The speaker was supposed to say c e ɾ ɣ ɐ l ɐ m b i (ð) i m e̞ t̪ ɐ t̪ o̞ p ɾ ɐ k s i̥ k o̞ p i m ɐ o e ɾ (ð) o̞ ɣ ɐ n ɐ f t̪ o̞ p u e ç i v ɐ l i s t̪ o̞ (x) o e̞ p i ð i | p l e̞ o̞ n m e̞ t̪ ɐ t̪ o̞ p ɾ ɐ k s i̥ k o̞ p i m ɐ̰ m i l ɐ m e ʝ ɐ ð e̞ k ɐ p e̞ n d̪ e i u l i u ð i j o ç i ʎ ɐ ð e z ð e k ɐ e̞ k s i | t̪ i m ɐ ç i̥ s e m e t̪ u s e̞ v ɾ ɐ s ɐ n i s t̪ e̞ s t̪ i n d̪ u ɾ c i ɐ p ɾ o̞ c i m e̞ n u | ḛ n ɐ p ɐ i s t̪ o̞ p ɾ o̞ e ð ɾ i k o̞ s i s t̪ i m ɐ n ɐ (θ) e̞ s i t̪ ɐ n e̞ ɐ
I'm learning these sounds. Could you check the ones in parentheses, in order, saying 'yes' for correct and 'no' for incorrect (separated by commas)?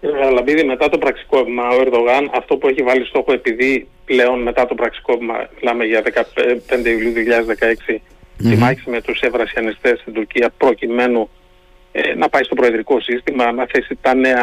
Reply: yes, yes, yes, yes